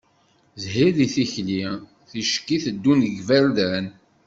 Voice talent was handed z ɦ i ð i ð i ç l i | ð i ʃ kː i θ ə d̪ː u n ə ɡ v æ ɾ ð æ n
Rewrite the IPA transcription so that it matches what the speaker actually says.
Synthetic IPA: z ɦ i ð i θ i ç l i | θ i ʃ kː i θ ə d̪ː u n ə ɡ v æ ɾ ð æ n